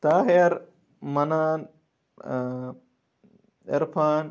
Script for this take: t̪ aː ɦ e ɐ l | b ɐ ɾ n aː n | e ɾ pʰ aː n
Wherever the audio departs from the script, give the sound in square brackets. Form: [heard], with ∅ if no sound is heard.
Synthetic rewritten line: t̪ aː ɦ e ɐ [ɾ] | [m] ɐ [∅] n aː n | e ɾ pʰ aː n